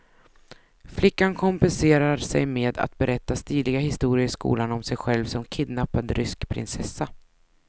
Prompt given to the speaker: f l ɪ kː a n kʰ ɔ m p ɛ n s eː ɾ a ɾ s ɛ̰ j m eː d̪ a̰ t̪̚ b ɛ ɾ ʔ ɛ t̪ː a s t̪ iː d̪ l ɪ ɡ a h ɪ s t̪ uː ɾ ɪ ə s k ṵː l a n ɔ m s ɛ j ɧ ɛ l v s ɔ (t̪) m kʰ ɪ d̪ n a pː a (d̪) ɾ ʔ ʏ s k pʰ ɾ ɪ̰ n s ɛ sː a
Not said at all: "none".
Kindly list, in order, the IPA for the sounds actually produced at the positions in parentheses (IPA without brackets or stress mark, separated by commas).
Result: none, d̪